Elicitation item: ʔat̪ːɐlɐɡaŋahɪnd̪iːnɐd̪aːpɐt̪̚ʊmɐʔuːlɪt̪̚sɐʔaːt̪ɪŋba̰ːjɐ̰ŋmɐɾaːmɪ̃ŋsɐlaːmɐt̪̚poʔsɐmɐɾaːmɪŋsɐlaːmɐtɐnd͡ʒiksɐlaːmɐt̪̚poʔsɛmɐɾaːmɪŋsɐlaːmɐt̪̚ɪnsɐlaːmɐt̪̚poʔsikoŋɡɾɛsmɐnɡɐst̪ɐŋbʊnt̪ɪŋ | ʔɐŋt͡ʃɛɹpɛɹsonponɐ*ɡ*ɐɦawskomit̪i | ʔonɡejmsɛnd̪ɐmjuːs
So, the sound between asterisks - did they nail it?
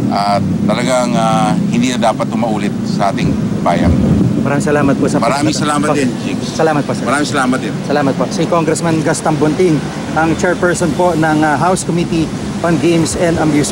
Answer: no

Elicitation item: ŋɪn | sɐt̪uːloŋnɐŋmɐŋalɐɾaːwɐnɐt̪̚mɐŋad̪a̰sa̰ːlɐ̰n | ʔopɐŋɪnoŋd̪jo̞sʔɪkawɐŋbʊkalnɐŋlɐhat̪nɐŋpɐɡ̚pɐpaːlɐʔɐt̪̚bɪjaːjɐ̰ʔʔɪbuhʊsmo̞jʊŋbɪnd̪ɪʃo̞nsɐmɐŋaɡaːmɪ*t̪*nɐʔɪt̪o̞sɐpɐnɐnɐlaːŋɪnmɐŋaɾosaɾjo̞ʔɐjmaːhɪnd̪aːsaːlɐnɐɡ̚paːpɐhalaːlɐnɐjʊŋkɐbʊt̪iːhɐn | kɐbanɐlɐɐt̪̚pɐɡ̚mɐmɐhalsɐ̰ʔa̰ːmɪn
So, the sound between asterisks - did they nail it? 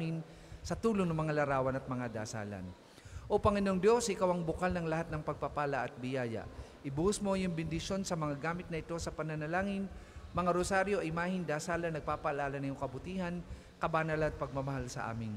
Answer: yes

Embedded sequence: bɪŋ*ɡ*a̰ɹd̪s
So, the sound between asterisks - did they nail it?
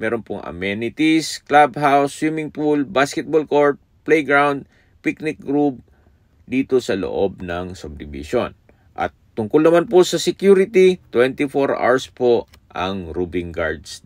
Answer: yes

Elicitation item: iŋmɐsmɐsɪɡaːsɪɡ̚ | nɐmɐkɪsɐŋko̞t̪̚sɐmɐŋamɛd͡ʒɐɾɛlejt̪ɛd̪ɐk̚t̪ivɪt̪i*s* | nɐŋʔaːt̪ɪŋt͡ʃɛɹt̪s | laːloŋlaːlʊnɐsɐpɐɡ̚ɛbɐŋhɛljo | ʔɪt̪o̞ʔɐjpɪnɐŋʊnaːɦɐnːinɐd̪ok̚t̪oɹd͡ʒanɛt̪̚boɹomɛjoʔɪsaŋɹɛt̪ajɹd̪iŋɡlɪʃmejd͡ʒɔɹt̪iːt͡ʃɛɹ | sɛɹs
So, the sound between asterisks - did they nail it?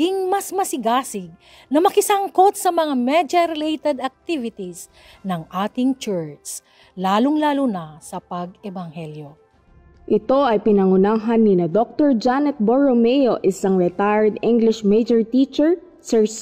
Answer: yes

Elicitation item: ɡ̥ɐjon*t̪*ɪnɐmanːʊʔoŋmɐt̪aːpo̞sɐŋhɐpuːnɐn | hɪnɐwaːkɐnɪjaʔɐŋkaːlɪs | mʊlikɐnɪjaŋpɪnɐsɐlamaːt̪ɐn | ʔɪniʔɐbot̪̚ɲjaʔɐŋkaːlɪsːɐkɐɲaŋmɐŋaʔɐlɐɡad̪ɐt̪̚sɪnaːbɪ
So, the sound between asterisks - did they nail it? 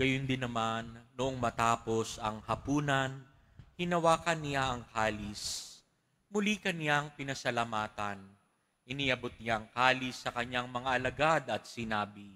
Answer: no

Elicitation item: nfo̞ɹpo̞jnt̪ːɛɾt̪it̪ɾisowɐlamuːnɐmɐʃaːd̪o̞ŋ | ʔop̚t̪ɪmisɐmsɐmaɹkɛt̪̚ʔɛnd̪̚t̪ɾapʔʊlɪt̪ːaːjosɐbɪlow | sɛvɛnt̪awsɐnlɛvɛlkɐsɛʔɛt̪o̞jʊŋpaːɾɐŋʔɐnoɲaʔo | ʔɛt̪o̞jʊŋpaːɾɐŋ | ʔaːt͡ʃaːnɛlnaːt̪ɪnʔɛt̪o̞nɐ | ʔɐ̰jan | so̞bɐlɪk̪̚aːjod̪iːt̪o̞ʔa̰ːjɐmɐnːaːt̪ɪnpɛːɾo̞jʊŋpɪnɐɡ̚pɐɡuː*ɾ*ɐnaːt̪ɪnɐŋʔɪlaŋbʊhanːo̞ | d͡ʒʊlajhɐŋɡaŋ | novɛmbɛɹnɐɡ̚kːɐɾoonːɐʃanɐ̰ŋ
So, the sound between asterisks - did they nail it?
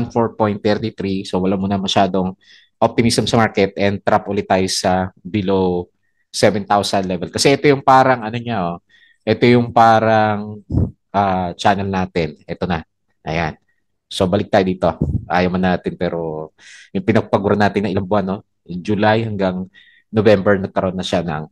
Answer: yes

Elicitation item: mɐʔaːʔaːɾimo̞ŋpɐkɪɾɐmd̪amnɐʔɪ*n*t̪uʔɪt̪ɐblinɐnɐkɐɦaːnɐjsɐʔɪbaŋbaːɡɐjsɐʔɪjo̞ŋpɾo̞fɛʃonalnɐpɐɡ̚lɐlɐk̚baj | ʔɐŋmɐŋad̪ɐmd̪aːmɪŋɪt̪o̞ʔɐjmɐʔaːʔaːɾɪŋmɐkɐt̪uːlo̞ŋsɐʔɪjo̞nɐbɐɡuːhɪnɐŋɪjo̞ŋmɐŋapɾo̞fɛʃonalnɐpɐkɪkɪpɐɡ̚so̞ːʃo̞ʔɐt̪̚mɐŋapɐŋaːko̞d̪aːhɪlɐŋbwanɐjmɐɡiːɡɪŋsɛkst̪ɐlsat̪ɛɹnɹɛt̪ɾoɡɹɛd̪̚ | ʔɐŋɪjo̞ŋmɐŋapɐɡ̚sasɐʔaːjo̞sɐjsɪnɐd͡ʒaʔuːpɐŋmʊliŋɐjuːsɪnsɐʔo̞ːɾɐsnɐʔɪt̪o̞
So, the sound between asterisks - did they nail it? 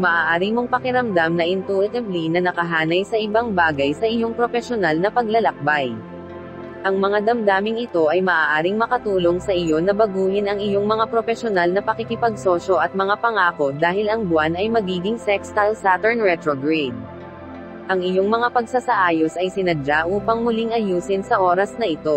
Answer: yes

